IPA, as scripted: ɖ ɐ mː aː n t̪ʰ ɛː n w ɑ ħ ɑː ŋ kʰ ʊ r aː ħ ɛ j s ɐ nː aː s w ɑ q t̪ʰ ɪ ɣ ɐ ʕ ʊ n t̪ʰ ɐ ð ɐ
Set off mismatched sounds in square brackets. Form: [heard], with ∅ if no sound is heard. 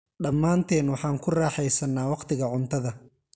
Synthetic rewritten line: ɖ ɐ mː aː n t̪ʰ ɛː n w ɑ ħ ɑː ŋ kʰ ʊ r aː ħ ɛ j s ɐ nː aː [∅] w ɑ q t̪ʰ ɪ ɣ ɐ ʕ ʊ n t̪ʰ ɐ ð ɐ